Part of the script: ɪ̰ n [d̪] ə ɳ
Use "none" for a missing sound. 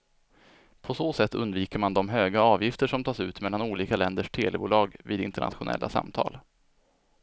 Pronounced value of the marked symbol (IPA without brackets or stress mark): t̪